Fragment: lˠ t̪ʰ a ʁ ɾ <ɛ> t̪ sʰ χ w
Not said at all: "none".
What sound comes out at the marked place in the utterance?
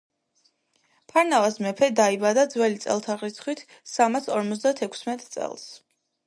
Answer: i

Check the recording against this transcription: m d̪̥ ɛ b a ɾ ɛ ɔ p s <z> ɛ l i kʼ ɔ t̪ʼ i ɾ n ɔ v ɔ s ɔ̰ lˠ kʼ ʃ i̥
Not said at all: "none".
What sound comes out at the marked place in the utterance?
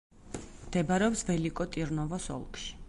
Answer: v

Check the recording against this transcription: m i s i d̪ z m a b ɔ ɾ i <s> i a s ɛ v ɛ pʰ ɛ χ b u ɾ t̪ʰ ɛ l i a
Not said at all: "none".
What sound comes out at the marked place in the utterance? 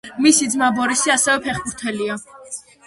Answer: s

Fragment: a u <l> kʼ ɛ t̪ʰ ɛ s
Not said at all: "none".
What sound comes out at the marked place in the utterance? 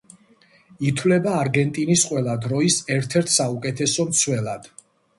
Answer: none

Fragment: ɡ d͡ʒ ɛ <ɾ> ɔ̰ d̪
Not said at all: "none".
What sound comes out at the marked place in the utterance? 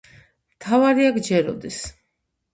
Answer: ɾ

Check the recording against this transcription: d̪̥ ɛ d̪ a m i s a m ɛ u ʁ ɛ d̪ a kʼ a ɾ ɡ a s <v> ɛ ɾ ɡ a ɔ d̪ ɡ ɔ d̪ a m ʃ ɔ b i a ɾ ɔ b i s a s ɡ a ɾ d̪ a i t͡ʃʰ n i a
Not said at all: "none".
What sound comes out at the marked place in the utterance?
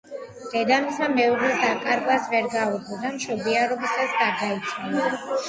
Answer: v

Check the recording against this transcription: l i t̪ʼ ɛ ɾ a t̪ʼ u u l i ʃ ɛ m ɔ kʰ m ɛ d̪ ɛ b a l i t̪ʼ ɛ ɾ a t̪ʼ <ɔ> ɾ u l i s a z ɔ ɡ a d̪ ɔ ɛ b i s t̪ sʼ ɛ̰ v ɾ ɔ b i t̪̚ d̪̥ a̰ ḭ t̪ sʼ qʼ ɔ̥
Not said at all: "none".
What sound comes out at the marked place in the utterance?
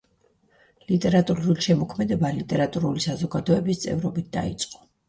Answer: u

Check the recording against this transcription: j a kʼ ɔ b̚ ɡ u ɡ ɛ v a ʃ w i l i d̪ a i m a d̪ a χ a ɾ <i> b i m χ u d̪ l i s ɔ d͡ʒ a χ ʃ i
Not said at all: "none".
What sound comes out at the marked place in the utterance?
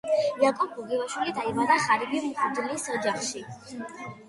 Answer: i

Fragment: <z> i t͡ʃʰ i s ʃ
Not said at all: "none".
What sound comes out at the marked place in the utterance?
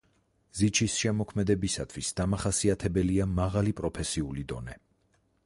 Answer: z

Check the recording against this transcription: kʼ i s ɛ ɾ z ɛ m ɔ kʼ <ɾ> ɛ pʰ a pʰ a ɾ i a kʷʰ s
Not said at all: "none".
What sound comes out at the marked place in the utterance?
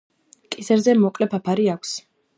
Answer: l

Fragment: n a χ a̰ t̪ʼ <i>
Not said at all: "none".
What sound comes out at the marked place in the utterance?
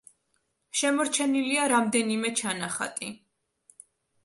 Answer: i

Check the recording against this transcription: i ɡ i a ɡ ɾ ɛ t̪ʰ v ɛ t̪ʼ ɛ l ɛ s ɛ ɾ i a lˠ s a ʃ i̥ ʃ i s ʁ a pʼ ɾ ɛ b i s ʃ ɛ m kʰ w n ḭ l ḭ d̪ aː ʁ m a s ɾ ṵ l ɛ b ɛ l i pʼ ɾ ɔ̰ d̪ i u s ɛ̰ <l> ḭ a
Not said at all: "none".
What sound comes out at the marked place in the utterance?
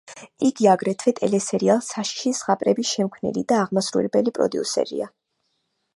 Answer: ɾ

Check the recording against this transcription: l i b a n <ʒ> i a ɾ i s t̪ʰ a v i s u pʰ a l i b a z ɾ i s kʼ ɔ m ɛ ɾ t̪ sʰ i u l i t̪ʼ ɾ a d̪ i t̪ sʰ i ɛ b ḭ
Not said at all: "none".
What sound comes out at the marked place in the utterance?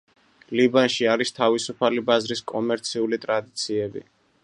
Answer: ʃ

